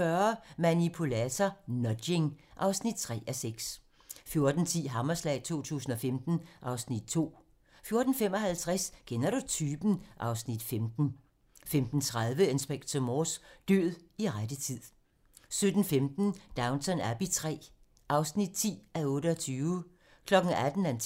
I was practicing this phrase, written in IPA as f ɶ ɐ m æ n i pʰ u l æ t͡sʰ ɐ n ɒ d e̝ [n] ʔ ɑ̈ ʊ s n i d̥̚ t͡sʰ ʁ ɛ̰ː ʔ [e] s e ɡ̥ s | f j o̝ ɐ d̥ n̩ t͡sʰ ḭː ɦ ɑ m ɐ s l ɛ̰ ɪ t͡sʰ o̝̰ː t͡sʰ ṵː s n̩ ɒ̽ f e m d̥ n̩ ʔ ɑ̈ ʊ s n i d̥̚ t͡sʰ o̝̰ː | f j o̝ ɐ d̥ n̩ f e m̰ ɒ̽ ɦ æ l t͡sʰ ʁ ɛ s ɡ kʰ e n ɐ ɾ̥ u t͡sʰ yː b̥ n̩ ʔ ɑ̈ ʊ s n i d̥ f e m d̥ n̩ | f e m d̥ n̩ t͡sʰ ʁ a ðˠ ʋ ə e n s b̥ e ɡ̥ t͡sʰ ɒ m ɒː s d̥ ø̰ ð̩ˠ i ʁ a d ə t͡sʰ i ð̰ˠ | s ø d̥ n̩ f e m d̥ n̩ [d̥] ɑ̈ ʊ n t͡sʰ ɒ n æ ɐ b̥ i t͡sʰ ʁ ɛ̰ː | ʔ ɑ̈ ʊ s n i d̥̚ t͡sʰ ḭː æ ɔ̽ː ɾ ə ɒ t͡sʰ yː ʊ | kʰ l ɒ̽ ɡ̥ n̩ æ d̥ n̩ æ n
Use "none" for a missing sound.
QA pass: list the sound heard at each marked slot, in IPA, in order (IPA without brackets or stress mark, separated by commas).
ŋ, æ, d̥